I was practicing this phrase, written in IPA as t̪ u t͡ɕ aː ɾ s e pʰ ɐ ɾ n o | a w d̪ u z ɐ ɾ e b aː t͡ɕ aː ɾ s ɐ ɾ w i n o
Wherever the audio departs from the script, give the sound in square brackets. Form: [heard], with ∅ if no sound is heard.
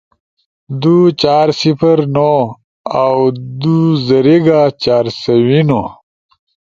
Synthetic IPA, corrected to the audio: [d̪] u t͡ɕ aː ɾ s [i] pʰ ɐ ɾ n o | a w d̪ u z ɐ ɾ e [ɡ] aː t͡ɕ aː ɾ s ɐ [∅] w i n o